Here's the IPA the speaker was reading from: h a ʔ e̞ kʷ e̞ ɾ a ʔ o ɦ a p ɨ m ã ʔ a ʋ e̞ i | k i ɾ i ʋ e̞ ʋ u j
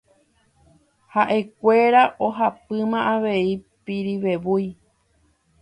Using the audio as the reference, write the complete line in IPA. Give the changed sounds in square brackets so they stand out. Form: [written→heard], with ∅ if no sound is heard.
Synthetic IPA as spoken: h a ʔ e̞ kʷ e̞ ɾ a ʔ o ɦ a p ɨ m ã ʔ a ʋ e̞ i | [k→p] i ɾ i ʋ e̞ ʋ u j